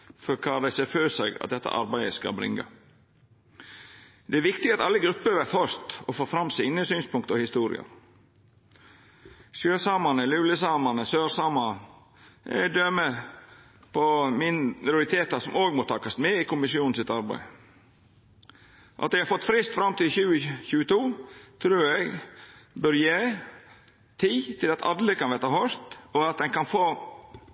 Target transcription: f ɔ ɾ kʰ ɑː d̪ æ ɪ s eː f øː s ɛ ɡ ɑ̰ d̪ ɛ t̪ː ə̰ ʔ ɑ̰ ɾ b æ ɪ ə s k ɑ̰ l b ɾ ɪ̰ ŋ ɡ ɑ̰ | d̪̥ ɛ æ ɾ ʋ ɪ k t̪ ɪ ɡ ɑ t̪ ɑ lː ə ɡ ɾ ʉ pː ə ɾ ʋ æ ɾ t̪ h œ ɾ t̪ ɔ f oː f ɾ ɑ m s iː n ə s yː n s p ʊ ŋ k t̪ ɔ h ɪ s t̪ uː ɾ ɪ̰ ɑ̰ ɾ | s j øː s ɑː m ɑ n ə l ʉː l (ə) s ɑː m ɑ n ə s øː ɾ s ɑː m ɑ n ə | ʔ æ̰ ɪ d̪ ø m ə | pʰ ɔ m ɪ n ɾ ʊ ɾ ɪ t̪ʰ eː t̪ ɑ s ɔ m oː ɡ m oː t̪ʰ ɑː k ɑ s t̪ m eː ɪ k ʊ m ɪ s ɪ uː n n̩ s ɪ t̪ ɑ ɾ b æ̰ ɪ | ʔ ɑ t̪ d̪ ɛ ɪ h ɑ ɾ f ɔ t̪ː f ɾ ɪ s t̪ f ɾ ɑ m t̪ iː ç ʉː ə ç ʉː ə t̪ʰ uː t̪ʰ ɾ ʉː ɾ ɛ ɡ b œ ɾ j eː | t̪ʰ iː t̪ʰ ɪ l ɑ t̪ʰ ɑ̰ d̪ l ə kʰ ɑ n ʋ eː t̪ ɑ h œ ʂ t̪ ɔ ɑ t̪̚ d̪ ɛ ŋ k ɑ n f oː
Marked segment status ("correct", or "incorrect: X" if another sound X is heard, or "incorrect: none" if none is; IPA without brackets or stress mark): correct